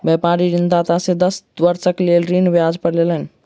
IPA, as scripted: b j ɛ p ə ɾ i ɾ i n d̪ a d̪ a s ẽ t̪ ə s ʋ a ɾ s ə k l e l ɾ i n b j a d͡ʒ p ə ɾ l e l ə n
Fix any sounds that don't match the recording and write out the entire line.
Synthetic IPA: b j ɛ p a ɾ i ɾ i n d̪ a t̪ a s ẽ d̪ ə s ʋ ə ɾ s ə k l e l ɾ i n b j a d͡ʒ p ə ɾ l e l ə n